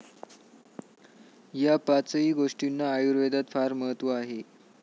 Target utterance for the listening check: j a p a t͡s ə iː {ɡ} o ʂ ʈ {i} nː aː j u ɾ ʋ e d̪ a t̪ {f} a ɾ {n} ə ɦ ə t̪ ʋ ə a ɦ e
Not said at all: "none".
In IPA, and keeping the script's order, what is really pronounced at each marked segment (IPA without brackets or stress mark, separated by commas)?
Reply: ɡ, i, f, m